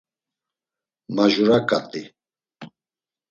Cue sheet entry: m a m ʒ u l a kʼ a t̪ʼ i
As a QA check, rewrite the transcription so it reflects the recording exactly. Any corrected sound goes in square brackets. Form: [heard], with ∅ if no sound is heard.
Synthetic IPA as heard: m a [∅] ʒ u [ɾ] a kʼ a t̪ʼ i